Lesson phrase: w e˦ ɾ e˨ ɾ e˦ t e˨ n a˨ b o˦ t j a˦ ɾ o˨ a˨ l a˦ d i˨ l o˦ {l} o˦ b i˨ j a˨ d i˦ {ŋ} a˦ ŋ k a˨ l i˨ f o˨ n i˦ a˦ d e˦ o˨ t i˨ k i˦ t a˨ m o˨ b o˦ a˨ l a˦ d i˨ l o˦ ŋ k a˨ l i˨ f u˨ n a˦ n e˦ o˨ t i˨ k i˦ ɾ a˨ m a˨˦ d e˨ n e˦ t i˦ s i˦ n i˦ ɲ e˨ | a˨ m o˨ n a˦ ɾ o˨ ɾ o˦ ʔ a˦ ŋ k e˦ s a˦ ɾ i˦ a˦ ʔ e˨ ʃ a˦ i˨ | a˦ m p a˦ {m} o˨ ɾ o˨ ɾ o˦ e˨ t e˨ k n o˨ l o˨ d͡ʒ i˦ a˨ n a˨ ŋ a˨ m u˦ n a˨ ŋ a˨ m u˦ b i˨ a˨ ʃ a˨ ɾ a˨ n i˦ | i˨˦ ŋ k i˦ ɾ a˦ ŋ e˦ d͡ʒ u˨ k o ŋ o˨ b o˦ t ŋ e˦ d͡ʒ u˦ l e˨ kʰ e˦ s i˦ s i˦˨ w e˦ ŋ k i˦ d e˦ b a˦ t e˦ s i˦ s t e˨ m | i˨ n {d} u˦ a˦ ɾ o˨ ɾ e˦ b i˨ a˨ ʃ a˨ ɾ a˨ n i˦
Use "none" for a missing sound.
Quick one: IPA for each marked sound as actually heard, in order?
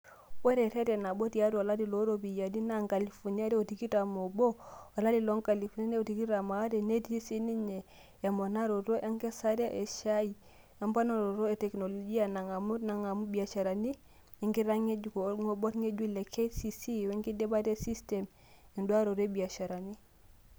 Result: ɾ, n, n, d

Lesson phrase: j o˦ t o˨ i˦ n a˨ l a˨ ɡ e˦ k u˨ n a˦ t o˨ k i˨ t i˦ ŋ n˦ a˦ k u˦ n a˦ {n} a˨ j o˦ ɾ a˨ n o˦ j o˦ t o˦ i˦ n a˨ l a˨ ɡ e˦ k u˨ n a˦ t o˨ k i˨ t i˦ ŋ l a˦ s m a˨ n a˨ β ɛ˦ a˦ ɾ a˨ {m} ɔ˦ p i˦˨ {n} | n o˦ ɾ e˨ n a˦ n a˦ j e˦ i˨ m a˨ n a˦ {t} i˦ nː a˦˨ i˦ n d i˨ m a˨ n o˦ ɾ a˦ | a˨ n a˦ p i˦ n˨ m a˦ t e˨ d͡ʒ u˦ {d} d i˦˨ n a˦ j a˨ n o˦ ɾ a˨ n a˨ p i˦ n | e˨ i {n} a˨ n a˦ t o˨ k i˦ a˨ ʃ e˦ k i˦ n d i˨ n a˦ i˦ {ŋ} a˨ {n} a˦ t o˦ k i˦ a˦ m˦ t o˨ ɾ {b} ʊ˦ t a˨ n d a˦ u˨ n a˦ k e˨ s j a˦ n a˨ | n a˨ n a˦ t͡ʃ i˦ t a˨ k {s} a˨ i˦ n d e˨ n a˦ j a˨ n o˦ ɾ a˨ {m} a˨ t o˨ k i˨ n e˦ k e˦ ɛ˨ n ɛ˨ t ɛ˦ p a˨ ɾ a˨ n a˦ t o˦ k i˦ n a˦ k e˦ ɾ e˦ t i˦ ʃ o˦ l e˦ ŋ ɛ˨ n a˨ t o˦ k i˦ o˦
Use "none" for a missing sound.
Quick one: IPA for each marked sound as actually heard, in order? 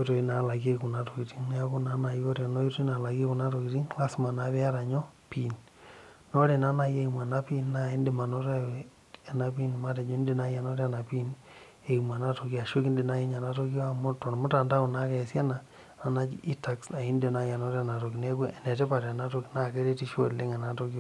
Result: n, ɲ, n, p, n, m, ɲ, n, m, s, n

